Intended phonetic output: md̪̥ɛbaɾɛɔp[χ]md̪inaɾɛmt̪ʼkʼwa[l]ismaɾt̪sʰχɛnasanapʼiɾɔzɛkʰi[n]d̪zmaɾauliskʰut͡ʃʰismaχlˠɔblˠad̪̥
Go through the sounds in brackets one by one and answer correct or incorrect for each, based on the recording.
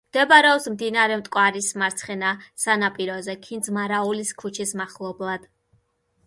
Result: incorrect: s, incorrect: ɾ, correct

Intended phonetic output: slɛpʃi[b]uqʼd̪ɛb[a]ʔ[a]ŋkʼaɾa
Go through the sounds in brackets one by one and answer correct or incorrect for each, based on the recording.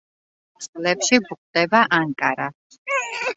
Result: correct, correct, correct

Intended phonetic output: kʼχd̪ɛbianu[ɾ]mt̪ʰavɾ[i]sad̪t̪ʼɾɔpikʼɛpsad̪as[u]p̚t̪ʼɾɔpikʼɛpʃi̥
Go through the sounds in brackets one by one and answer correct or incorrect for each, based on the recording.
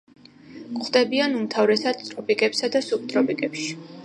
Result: incorrect: none, incorrect: ɛ, correct

